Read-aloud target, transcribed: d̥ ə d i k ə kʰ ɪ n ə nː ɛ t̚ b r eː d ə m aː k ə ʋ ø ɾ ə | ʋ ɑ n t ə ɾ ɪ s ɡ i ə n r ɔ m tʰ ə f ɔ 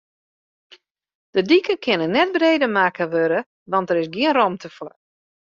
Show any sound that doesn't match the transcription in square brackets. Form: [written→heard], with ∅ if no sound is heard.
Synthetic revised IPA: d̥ ə d i k ə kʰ ɪ n ə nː ɛ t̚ b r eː d ə m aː k ə ʋ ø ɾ ə | ʋ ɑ n t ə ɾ ɪ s ɡ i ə n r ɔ m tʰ ə f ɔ